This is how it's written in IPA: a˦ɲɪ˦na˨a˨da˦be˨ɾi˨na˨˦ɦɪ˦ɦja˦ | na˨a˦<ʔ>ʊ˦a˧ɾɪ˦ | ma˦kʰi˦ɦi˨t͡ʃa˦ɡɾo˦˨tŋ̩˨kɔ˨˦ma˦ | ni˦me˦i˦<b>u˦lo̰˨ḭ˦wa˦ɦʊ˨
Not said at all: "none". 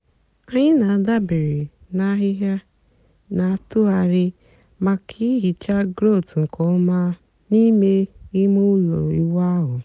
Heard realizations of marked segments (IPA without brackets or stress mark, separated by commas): t, m